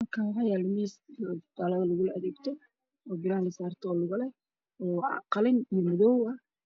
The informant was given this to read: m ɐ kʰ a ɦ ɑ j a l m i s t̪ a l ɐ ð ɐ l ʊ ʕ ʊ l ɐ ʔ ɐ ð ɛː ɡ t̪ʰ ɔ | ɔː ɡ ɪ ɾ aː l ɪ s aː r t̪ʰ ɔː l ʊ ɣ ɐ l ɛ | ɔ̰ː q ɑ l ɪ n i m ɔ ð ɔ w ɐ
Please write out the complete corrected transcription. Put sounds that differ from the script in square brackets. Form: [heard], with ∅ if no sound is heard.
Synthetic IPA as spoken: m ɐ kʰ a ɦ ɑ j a l m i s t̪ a l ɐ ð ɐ l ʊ [ɣ] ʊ l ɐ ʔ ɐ ð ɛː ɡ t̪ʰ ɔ | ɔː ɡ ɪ ɾ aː l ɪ s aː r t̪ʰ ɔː l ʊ ɣ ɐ l ɛ | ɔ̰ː q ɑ l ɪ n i m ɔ ð ɔ w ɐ